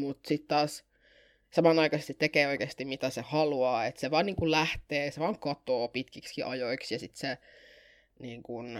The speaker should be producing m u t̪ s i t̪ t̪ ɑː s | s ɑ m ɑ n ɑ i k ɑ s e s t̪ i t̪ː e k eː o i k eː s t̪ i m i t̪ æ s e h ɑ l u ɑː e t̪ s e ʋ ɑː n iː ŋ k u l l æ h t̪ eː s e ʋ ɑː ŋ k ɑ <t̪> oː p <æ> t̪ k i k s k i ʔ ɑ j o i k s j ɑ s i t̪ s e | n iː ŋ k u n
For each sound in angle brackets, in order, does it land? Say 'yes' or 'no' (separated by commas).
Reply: yes, no